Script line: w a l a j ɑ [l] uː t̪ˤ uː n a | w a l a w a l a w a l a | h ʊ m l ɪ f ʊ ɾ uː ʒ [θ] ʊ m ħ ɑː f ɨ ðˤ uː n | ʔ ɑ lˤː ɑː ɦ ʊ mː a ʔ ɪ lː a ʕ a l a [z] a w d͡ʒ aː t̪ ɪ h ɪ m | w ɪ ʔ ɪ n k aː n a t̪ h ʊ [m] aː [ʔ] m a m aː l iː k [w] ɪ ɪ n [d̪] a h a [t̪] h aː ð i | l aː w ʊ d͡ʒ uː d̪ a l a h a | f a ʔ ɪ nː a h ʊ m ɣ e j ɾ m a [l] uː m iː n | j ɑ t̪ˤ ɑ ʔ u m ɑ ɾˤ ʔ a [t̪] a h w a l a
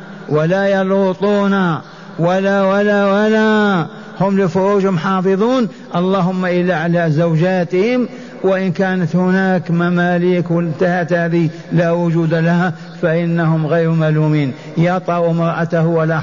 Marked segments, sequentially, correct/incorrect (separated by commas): correct, incorrect, correct, incorrect, incorrect, correct, incorrect, correct, correct, correct